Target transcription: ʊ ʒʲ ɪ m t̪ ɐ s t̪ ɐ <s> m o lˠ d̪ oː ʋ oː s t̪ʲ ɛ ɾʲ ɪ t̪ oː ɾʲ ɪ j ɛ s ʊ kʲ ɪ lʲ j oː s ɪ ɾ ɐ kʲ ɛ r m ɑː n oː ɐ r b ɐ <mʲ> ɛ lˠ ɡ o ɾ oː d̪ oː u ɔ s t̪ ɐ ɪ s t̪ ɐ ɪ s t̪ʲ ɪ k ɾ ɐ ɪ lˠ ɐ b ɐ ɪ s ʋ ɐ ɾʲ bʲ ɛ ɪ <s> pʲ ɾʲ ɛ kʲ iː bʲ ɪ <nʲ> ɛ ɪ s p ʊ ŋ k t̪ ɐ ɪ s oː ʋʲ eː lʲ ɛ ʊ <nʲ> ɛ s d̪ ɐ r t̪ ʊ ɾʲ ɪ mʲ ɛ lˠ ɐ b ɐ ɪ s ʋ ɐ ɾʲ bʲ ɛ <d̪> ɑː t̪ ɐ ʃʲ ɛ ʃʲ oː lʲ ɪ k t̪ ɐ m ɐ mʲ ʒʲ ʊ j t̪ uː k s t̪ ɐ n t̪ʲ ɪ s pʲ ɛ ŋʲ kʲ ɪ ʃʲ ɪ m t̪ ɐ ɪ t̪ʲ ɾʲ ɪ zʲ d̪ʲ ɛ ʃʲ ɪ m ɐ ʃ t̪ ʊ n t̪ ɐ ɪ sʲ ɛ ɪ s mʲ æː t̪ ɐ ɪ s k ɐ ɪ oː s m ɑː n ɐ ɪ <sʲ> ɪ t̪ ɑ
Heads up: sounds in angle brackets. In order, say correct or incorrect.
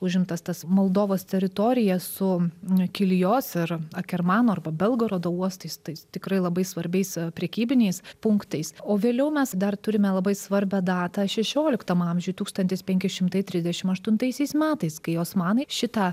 correct, incorrect: bʲ, correct, correct, incorrect: mʲ, correct, incorrect: ʃʲ

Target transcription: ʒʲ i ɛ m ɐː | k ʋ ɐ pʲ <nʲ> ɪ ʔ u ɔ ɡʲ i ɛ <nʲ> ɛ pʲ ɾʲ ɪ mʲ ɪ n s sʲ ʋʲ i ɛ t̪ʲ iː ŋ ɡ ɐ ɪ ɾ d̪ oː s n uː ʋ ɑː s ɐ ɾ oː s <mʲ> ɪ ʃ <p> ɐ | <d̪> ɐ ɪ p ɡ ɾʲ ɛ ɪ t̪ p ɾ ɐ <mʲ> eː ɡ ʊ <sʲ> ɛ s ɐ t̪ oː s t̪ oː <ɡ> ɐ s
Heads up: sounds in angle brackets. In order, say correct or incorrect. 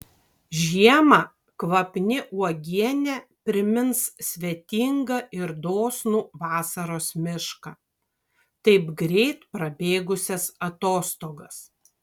correct, correct, correct, incorrect: k, incorrect: t̪, incorrect: bʲ, correct, correct

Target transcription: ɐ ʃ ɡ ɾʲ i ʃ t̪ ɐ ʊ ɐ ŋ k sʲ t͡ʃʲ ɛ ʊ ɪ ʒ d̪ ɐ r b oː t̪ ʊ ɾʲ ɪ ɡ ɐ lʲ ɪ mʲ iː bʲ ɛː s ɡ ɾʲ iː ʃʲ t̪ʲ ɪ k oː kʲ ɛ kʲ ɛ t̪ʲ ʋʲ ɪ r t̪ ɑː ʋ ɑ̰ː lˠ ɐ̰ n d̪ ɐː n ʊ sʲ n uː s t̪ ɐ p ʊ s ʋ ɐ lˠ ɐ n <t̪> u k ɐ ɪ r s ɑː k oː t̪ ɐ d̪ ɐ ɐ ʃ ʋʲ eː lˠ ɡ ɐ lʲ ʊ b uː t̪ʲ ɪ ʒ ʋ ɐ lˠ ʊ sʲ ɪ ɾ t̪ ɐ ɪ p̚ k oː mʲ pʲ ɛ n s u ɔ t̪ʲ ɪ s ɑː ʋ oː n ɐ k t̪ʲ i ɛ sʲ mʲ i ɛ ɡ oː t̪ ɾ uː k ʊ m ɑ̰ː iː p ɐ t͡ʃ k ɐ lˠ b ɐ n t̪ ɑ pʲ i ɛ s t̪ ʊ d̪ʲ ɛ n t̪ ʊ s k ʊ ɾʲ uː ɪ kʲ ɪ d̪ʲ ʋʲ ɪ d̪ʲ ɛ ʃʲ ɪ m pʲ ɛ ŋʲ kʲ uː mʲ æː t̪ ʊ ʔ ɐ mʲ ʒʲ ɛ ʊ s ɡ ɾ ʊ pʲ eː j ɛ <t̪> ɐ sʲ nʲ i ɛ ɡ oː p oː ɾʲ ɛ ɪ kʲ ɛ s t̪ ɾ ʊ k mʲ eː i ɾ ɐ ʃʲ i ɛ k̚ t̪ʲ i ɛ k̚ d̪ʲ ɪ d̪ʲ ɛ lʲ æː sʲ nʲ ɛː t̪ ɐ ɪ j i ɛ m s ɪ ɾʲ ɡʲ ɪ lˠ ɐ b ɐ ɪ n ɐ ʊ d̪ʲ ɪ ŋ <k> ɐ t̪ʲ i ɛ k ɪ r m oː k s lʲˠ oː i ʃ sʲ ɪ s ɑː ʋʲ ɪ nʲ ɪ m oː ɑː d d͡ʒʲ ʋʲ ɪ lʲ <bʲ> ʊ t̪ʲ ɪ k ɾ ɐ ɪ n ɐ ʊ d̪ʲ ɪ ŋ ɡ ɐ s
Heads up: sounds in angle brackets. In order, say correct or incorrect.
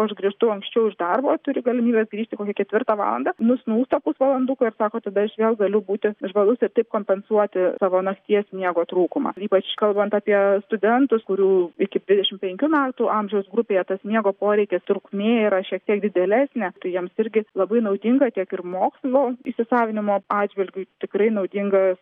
incorrect: d̪, correct, incorrect: ɡ, incorrect: ɡʲ

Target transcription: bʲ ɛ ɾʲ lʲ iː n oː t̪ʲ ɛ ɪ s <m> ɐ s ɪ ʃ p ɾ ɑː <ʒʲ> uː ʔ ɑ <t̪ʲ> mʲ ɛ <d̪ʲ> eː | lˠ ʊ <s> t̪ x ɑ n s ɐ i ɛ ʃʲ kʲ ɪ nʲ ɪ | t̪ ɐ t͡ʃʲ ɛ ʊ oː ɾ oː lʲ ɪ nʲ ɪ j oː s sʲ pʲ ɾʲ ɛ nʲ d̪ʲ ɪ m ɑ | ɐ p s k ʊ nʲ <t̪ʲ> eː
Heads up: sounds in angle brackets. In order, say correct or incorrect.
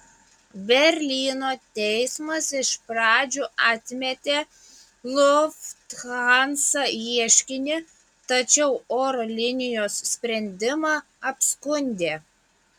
correct, incorrect: d͡ʒʲ, correct, incorrect: t̪ʲ, incorrect: f, incorrect: d̪ʲ

